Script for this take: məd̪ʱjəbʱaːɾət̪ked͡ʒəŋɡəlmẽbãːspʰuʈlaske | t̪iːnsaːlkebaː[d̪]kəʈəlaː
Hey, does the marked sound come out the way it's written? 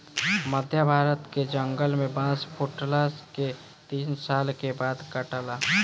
yes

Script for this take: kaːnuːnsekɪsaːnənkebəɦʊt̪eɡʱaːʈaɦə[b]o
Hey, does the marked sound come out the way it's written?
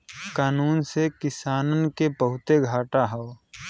no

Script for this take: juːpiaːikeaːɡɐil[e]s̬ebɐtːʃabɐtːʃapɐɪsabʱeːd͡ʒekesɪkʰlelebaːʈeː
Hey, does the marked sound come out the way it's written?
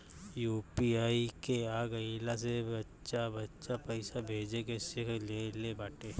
no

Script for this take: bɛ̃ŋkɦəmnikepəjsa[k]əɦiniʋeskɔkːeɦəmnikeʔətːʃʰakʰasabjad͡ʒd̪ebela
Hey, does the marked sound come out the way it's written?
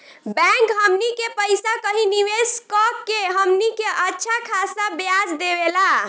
yes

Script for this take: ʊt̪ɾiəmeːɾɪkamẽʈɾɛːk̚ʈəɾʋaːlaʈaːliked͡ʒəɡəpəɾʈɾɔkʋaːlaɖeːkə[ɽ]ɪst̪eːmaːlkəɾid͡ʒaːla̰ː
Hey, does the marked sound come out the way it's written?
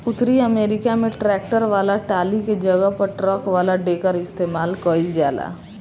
no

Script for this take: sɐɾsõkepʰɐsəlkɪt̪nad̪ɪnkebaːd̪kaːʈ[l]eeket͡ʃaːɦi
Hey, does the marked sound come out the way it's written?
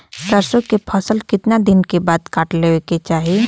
yes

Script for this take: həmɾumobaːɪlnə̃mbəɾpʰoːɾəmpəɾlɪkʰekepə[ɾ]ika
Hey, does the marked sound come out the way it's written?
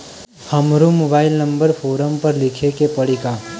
no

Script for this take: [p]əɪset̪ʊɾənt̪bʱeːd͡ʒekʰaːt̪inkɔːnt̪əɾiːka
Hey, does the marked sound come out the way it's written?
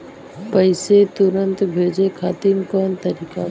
yes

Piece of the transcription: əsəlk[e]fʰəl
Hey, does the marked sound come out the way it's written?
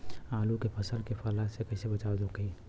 yes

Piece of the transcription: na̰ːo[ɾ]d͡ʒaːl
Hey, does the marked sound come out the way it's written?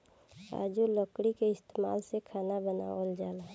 no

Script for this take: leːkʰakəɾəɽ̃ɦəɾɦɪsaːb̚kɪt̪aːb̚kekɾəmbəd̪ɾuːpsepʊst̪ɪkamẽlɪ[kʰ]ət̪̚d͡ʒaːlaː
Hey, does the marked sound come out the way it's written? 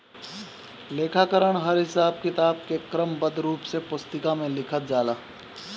yes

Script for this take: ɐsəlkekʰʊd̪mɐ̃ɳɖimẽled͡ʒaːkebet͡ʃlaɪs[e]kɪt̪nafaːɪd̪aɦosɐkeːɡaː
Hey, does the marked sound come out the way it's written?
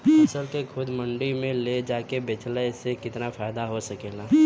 yes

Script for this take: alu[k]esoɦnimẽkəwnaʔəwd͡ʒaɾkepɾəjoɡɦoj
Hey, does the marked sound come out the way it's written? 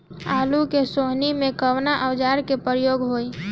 yes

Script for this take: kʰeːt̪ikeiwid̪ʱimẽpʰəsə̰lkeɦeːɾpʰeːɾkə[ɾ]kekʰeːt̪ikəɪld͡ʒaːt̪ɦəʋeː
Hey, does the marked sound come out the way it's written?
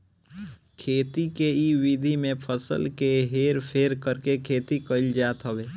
yes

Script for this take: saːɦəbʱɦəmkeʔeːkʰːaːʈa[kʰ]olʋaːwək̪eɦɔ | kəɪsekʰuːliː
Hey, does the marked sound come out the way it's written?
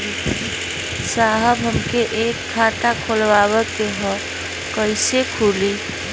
yes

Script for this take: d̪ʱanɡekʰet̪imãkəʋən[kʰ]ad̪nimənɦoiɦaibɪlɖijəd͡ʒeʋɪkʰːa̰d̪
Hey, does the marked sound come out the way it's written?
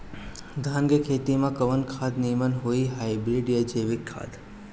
yes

